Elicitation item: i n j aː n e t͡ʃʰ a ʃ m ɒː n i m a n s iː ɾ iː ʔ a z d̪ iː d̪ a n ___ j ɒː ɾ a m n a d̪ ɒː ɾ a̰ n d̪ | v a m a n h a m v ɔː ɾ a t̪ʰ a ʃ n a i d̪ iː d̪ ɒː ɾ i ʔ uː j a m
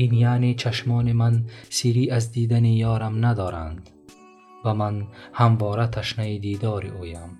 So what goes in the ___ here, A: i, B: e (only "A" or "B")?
A